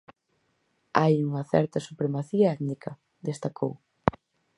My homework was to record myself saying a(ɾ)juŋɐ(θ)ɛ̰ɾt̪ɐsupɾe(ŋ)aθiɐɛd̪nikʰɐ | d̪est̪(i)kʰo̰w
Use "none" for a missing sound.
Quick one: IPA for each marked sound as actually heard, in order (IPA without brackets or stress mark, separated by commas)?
none, θ, m, a